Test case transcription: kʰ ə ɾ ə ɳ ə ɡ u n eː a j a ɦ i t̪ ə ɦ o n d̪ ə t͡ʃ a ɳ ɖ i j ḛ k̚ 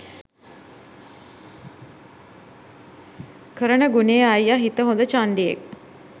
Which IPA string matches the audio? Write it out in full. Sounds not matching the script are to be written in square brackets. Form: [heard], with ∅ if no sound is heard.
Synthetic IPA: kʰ ə ɾ ə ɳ ə ɡ u n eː a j a ɦ i t̪ ə ɦ o n d̪ ə t͡ʃ a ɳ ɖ i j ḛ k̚

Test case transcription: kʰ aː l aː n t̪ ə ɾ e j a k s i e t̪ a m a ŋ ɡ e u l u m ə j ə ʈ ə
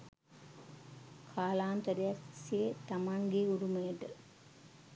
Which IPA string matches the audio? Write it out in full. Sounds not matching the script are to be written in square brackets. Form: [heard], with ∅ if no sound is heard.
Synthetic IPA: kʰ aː l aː n t̪ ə ɾ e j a k s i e t̪ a m a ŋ ɡ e u [ɾ] u m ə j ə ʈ ə

